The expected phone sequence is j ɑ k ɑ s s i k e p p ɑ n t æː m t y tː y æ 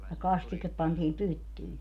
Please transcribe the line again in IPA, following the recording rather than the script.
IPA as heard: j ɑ k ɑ s t i k e p p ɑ n t iː m p y tː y i

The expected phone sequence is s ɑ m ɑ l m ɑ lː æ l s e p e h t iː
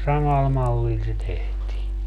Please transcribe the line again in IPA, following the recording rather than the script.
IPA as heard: s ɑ m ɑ l m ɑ lː i l s e t e h t iː

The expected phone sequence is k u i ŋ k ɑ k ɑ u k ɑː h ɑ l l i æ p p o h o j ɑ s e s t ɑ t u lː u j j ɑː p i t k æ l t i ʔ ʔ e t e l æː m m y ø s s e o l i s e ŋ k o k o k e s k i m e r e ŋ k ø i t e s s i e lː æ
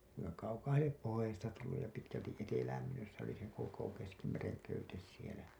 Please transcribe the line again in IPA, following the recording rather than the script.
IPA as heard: k u i ŋ k ɑ k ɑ u k ɑː h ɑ l l i e p p o h o j ɑ s e s t ɑ t u lː u j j ɑ p i t k æ l t i ʔ ʔ e t e l æː m m y ø s s e o l i s e ŋ k o k o k e s k i m e r e ŋ k ø y t e s s i e l æ

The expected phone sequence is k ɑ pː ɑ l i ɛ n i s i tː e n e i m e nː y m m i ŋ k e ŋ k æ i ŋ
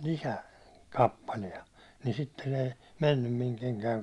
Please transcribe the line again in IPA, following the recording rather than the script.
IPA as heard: k ɑ pː ɑ l i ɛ n i s i tː e n e i m e nː y m m i ŋ k e ŋ k æ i ŋ

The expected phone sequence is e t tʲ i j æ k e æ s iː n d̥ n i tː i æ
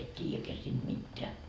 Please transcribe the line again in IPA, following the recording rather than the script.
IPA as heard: e t tʲ iː j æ k e æ s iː n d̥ m i tː e æ

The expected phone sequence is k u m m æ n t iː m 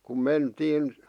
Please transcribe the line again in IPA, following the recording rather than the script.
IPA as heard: k u m m e n t iː n

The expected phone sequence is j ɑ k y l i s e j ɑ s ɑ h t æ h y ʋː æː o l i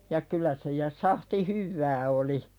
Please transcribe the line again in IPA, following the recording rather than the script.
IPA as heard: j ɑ k y l æ s e j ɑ s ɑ h t i h y ʋː æː o l i

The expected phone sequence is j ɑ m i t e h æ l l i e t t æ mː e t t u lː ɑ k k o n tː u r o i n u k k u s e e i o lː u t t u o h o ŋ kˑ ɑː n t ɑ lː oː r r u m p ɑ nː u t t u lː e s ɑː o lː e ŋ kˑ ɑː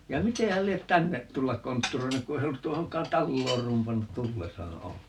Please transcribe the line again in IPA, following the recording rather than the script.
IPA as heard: j ɑ m i t e h æ l l i e t t æ nː e t t u lː ɑ k k o n tː u r o i n u k k u s e e i o lː u t t u o h o ŋ kˑ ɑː n t ɑ lː oː r r u m p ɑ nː u t t u lː e s ɑː o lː e ŋ kˑ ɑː

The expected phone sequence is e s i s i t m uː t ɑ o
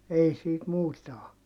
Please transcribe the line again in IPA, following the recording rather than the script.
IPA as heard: e i s iː t m uː t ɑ o

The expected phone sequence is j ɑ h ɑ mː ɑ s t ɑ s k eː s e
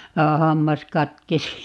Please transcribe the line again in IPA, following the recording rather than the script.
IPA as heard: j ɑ h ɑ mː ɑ s k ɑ t k e s i

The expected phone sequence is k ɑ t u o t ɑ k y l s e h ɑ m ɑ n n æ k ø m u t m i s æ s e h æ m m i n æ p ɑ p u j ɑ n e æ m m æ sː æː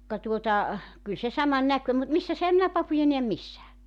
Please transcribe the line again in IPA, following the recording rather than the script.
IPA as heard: k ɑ t u o t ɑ k y l s e s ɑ m ɑ n n æ k ø m u t m i sː æ s e h æ m m i n æ p ɑ p u j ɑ n e æ m m i sː æː

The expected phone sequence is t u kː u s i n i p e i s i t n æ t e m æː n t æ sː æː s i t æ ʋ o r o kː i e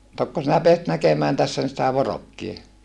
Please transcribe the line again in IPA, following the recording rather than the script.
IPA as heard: t o kː o s i n æ p e æ s i t n æ k e m æː n t æ sː æ s i t æ ʋ o r o kː i e

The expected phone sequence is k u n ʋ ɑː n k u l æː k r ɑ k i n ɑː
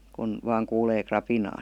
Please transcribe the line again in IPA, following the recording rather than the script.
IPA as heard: k u n ʋ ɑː ŋ k uː l eː k r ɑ p i n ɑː

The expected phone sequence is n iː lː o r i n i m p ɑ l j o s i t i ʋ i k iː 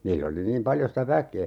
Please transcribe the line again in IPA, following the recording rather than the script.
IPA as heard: n iː lː o l i n iː m p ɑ l j o s i t æ ʋ æ k eː

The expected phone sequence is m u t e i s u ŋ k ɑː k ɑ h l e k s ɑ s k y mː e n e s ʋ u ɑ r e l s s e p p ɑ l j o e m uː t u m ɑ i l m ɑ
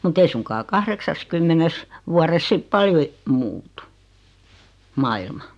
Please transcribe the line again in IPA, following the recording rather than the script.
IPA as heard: m u t e i s u ŋ k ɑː k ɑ h r e k s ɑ s k y mː e n e s ʋ u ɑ r e s s i p p ɑ l j o e m uː t u m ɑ i l m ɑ

